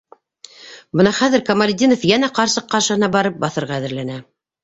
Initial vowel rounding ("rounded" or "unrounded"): unrounded